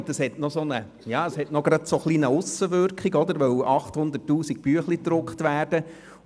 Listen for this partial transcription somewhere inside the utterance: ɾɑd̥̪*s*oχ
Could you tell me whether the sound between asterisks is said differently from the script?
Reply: no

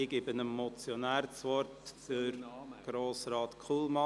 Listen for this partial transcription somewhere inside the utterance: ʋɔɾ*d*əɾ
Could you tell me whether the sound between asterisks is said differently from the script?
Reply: yes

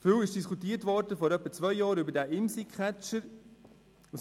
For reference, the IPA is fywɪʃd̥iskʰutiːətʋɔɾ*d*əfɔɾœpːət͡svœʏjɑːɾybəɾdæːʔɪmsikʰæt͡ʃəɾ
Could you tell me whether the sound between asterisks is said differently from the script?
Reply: no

